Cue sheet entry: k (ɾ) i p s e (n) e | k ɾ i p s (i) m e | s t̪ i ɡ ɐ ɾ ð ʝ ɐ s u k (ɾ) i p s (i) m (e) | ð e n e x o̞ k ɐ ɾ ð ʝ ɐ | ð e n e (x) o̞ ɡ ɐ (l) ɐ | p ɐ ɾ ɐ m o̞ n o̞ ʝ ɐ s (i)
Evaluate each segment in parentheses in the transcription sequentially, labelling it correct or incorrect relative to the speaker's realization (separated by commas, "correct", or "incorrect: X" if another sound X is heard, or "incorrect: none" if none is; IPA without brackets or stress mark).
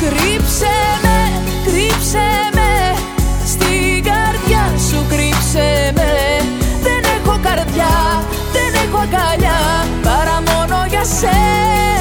correct, incorrect: m, incorrect: e, correct, incorrect: e, correct, correct, incorrect: ʎ, incorrect: e